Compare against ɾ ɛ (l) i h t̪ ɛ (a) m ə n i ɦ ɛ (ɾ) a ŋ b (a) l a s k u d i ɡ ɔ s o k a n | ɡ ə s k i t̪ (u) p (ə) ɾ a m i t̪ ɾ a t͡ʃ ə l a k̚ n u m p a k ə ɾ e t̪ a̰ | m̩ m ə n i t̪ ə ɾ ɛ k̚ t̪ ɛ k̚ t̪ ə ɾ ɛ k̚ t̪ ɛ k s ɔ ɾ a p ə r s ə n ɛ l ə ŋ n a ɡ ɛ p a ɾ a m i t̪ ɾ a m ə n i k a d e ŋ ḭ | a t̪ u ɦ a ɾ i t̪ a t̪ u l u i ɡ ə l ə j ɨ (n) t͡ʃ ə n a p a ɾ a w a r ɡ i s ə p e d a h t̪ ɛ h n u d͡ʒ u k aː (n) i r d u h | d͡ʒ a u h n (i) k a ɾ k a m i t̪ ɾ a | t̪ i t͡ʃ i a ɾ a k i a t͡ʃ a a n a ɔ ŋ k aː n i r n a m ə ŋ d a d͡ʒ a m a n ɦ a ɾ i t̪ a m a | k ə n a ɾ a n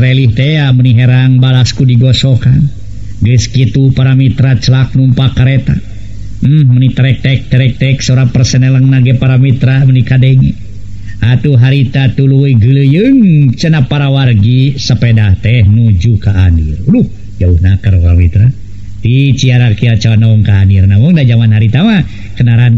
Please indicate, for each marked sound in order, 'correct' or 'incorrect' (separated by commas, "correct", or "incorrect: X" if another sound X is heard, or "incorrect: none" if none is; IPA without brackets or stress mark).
correct, correct, correct, correct, correct, incorrect: a, incorrect: ŋ, correct, incorrect: a